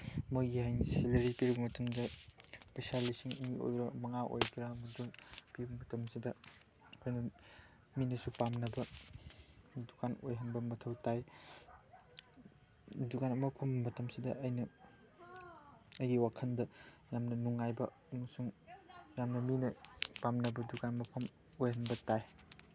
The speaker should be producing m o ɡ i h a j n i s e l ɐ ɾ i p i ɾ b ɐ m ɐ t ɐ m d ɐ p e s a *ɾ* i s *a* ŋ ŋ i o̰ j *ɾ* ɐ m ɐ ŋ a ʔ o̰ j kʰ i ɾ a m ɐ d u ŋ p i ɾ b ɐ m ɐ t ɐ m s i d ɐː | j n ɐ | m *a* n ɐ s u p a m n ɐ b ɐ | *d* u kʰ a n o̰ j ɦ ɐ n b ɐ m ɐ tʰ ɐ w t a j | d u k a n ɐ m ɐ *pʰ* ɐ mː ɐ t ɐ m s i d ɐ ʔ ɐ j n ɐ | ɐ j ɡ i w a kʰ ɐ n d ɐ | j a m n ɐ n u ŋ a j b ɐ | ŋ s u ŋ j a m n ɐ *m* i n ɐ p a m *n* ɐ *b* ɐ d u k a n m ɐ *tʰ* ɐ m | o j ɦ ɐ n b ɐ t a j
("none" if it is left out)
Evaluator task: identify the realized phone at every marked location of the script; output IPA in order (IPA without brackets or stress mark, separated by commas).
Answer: l, i, ɾ, i, d, pʰ, m, n, b, pʰ